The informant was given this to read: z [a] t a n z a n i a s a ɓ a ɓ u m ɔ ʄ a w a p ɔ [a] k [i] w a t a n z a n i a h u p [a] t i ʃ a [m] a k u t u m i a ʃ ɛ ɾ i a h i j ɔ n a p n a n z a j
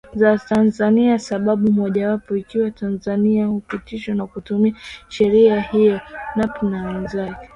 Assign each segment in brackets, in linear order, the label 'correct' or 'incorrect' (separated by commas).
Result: correct, incorrect, correct, incorrect, incorrect